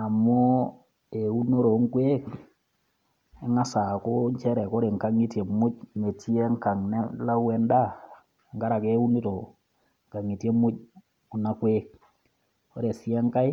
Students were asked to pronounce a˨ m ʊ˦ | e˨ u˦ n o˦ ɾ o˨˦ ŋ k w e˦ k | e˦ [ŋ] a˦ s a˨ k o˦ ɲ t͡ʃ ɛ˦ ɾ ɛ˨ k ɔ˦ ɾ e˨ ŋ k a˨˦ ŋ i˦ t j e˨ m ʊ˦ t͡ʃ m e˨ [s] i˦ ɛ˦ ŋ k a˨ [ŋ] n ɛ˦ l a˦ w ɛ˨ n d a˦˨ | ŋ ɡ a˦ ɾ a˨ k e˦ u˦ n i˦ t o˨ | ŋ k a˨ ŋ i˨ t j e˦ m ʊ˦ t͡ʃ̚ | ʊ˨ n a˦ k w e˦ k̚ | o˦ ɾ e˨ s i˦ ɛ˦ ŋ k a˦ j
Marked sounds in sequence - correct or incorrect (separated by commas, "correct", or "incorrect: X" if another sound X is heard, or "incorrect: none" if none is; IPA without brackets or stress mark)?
correct, incorrect: t, correct